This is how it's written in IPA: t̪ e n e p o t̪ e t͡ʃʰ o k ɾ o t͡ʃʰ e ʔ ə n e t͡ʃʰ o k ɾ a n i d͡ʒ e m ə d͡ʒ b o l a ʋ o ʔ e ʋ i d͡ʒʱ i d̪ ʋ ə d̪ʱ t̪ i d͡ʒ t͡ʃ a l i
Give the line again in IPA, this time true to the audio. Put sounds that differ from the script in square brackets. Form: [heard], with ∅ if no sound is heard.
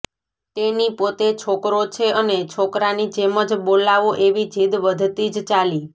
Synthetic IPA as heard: t̪ e n [i] p o t̪ e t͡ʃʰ o k ɾ o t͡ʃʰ e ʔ ə n e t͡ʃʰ o k ɾ a n i d͡ʒ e m ə d͡ʒ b o l a ʋ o ʔ e ʋ i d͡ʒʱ i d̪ ʋ ə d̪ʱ t̪ i d͡ʒ t͡ʃ a l i